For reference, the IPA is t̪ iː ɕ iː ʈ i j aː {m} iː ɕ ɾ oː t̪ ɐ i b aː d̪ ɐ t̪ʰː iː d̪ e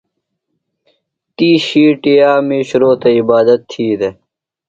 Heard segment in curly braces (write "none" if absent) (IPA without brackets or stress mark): m